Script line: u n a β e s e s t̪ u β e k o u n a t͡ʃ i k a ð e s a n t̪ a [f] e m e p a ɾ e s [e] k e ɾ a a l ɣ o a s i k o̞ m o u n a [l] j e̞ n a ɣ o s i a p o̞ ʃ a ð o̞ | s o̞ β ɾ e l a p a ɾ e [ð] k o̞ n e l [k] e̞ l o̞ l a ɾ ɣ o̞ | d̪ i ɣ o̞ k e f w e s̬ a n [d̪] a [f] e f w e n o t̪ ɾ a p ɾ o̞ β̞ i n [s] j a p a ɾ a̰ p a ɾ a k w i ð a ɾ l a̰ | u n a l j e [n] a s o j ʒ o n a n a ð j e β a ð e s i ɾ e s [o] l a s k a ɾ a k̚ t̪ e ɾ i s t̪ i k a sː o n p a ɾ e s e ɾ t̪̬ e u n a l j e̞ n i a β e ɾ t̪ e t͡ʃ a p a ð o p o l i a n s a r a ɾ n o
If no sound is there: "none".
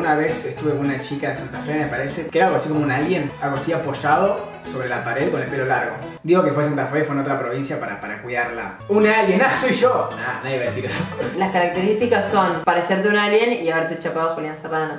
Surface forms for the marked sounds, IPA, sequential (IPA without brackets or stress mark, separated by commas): f, e, l, ð, p, t̪, f, s, n, o